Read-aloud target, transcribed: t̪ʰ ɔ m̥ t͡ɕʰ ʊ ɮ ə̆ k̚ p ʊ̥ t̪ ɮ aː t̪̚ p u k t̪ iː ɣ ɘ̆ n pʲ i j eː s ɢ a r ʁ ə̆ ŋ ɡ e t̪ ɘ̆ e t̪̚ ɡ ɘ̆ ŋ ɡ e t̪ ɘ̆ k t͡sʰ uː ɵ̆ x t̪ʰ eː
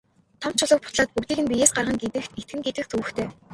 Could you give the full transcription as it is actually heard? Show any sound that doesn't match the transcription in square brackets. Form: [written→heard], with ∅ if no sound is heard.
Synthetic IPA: t̪ʰ ɔ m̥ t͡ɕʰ ʊ ɮ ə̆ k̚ p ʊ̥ t̪ ɮ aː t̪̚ p u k t̪ iː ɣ ɘ̆ n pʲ i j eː s ɢ a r ʁ ə̆ ŋ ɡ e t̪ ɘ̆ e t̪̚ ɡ ɘ̆ ŋ ɡ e t̪ ɘ̆ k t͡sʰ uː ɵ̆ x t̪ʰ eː